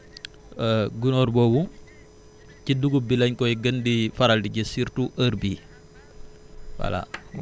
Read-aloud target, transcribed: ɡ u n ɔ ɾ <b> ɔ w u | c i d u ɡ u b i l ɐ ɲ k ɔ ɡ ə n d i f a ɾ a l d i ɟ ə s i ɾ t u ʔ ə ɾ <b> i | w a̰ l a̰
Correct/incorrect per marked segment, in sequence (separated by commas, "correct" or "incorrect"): correct, correct